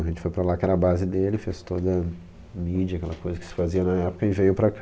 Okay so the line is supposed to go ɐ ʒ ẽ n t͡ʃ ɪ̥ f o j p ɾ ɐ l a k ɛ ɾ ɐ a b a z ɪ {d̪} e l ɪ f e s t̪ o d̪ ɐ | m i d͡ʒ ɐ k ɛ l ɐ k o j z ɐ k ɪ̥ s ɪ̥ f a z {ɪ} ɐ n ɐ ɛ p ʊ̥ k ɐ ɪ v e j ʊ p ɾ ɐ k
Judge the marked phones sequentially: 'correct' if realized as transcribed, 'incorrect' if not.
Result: correct, incorrect: i

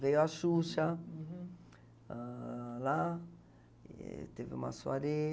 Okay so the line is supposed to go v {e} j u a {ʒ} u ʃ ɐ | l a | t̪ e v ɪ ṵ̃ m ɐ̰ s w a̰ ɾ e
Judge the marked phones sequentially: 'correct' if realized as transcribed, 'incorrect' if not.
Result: correct, incorrect: ʃ

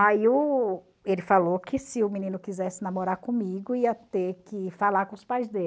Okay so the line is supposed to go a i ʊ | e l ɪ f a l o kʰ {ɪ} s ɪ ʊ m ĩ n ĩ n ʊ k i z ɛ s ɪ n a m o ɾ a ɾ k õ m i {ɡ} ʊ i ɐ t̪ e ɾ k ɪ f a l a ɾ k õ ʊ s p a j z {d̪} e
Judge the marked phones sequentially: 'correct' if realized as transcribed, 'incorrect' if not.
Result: correct, correct, correct

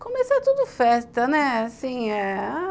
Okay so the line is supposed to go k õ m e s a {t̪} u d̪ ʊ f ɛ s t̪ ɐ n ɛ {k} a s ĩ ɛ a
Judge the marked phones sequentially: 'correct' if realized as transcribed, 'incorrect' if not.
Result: correct, incorrect: none

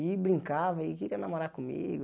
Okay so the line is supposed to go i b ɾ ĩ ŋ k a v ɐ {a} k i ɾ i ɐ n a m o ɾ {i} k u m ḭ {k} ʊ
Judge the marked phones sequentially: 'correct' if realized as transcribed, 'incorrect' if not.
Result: incorrect: i, incorrect: a, incorrect: ɡ

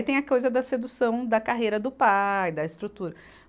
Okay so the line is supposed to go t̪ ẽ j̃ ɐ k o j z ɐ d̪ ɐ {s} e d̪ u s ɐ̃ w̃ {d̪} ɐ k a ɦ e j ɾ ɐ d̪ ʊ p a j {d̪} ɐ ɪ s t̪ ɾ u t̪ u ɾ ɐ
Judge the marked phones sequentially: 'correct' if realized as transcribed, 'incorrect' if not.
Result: correct, correct, correct

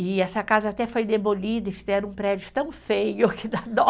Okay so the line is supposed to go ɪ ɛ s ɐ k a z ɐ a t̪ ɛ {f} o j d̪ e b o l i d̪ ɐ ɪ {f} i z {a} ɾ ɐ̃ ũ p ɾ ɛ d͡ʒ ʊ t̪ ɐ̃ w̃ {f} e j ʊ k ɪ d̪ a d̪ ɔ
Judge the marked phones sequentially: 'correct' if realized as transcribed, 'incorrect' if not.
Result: correct, correct, incorrect: ɛ, correct

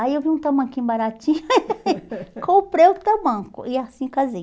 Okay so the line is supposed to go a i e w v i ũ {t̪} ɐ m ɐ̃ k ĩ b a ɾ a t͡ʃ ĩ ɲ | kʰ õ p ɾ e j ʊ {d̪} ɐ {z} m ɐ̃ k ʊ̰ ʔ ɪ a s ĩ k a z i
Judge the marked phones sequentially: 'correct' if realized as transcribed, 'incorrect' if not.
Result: correct, incorrect: t̪, incorrect: none

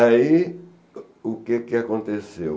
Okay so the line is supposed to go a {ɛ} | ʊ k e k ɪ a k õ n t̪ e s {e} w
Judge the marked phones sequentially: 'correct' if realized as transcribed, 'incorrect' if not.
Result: incorrect: i, correct

